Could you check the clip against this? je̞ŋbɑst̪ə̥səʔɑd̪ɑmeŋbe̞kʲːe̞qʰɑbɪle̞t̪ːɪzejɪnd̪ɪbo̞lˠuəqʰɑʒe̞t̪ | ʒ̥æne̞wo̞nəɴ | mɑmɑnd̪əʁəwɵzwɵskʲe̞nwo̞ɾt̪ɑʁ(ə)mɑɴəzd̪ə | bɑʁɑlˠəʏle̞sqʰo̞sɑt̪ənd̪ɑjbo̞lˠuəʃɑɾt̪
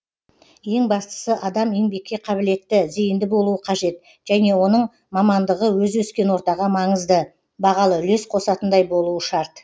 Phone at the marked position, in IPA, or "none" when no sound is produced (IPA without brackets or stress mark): ɑ